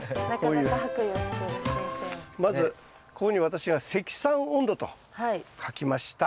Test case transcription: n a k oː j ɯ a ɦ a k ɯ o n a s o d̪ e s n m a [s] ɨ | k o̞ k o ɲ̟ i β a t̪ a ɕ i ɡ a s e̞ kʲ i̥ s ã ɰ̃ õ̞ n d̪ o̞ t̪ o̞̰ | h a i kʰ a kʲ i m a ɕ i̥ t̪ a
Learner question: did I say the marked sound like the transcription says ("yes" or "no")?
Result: no